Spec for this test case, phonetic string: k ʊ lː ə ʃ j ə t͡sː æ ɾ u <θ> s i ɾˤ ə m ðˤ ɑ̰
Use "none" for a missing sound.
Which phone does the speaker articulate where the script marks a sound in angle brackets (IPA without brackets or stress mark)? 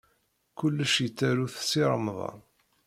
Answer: θ